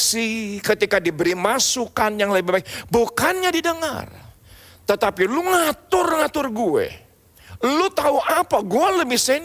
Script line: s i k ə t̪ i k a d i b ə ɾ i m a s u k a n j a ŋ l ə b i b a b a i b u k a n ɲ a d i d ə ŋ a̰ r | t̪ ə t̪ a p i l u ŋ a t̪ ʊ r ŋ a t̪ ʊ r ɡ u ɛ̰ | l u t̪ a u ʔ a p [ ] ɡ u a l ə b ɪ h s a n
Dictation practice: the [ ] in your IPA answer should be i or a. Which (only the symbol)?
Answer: a